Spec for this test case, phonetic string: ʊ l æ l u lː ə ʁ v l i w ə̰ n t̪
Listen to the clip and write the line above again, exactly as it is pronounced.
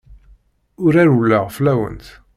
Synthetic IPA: ʊ ɾ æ ɾ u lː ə ʁ f l æ w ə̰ n t̪